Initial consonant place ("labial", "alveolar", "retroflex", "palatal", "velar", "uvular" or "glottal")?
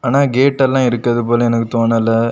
alveolar